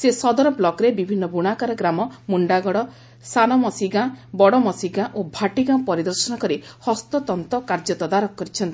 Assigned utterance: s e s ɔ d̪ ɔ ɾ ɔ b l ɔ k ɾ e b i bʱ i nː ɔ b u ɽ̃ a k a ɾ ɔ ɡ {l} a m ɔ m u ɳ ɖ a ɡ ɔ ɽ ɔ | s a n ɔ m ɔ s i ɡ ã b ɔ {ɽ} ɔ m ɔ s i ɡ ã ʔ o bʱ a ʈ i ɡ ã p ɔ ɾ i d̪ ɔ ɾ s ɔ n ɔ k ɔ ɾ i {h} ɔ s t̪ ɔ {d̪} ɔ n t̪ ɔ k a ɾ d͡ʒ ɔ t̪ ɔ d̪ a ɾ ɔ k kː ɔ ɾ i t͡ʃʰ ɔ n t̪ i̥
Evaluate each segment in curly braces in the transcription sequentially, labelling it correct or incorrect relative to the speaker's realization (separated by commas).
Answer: incorrect, correct, correct, incorrect